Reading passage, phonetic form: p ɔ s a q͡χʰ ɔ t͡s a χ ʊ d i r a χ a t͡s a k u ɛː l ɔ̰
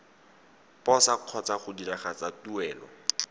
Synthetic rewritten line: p ɔ s a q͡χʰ ɔ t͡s a χ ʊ d i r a χ a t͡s a t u ɛː l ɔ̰